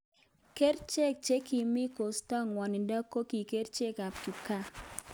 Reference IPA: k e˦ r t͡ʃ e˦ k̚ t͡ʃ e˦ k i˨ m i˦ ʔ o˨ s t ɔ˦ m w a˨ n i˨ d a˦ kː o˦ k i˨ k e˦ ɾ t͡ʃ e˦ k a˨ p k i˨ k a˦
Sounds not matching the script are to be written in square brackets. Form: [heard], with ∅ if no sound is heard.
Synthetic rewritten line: k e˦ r t͡ʃ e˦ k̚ t͡ʃ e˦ k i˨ m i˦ [k] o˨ s t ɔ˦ [ŋ] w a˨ n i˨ d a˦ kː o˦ k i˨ k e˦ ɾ t͡ʃ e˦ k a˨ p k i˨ k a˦